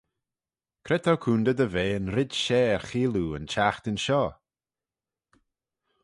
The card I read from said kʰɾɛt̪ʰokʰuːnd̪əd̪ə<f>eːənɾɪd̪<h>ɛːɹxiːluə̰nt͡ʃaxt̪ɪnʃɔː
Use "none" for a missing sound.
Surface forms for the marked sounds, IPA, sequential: v, ʃ

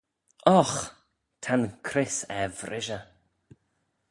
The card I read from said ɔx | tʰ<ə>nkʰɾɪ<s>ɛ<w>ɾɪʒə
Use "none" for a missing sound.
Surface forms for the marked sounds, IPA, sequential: a, s, v

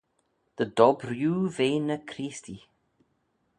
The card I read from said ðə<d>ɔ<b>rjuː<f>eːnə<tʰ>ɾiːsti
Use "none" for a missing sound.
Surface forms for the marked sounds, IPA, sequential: d, b, v, kʰ

